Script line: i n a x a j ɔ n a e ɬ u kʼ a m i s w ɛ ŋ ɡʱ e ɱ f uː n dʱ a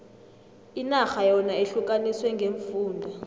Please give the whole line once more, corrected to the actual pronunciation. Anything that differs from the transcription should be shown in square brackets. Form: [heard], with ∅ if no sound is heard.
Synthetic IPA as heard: i n a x a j ɔ n a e ɬ u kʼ a [n] i s w ɛ ŋ ɡʱ e ɱ f uː n dʱ a